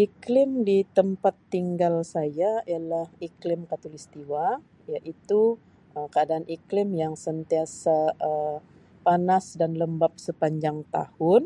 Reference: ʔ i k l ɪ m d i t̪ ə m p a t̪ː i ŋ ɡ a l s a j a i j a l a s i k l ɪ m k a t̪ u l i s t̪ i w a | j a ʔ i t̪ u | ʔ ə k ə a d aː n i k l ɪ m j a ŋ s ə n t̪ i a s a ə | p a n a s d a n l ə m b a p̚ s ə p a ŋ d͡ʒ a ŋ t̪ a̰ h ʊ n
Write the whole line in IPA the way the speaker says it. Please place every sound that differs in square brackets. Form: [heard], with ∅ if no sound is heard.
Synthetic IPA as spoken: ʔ i k l ɪ m d i t̪ ə m p a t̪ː i ŋ ɡ a l s a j a i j a l a [h] i k l ɪ m k a t̪ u l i s t̪ i w a | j a ʔ i t̪ u | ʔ ə k ə a d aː n i k l ɪ m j a ŋ s ə n t̪ i a s a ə | p a n a s d a n l ə m b a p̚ s ə p a [ɲ] d͡ʒ a ŋ t̪ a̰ h ʊ n

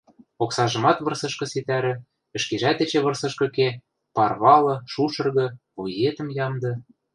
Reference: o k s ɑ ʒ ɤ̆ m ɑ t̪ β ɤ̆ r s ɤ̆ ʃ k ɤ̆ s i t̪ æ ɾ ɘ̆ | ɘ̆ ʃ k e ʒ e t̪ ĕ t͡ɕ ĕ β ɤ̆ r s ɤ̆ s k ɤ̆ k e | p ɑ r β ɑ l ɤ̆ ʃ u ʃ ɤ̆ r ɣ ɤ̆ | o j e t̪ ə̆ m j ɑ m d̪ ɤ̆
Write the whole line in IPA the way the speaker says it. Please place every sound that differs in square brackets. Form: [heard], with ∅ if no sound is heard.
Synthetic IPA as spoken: o k s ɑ ʒ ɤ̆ m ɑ t̪ β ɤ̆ r s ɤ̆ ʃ k ɤ̆ s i t̪ æ ɾ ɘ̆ | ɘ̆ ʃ k e ʒ [æ] t̪ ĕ t͡ɕ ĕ β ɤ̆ r s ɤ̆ [ʃ] k ɤ̆ k e | p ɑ r β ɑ l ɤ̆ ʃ u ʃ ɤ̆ r ɣ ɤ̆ | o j e t̪ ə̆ m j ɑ m d̪ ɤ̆

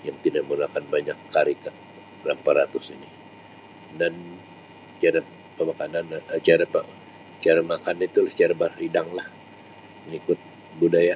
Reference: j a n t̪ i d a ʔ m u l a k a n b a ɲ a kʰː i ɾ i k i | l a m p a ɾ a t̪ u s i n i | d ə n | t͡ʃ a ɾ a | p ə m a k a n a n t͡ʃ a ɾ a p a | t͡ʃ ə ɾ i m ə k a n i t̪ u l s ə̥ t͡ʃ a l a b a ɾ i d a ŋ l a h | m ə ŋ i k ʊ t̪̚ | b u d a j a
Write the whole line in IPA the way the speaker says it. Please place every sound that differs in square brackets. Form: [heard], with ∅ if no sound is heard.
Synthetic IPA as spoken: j a [ŋ] t̪ i d a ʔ m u l a k a n b a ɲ a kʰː [a] ɾ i k [a] | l a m p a ɾ a t̪ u s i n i | d [a] n | t͡ʃ a ɾ a | p ə m a k a n a n t͡ʃ a ɾ a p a | t͡ʃ [a] ɾ [a] m [a] k a n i t̪ u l s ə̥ t͡ʃ a [ɾ] a b a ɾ i d a ŋ l a h | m ə ŋ i k ʊ t̪̚ | b u d a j a

